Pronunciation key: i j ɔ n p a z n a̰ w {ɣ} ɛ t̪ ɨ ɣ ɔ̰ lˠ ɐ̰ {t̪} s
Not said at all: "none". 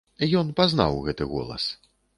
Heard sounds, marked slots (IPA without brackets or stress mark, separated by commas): ɣ, none